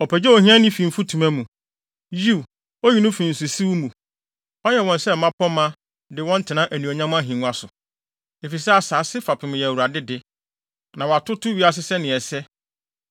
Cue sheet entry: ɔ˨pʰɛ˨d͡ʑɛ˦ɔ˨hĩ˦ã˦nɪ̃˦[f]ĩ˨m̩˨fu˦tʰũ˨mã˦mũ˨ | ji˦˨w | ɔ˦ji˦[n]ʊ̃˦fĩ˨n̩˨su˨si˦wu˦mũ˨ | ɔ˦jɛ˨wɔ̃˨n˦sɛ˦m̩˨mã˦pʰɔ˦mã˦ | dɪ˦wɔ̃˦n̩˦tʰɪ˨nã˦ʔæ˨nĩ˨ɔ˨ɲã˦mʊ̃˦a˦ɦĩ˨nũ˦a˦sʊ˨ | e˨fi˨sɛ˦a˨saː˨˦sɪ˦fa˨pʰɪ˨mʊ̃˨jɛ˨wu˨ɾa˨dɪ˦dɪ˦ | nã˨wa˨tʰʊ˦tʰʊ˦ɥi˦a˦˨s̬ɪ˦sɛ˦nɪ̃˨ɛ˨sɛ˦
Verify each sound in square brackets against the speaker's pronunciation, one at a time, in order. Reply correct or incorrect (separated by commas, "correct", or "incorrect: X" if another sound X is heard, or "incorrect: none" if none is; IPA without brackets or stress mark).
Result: correct, correct